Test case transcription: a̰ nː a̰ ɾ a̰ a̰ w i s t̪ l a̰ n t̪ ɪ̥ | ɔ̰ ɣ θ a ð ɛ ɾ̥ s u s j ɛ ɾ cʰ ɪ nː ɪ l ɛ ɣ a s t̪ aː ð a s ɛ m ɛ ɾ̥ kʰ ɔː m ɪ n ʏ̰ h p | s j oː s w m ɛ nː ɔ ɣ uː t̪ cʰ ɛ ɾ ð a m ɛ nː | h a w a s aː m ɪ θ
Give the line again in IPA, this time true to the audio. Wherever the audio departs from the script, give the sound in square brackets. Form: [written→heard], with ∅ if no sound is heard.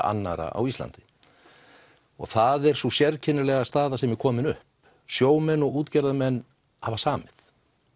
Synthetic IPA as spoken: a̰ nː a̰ ɾ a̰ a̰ w i s t̪ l a̰ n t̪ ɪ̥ | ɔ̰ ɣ θ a ð ɛ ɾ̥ s u s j ɛ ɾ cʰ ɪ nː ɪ l ɛ ɣ a s t̪ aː ð a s ɛ m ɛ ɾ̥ kʰ ɔː m ɪ n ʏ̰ h p | s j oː [s→∅] w m ɛ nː ɔ ɣ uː t̪ [cʰ→c] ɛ ɾ ð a m ɛ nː | h a [w→v] a s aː m ɪ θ